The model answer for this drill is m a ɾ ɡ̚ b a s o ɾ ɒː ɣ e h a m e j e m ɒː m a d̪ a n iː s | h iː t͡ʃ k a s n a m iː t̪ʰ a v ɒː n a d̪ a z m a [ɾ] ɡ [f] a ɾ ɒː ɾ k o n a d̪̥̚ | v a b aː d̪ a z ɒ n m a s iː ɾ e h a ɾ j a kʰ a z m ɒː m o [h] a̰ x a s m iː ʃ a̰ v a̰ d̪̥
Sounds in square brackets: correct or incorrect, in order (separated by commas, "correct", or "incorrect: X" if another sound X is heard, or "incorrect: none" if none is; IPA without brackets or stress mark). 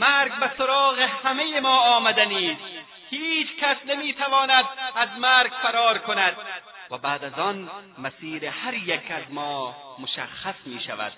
correct, correct, incorrect: ʃ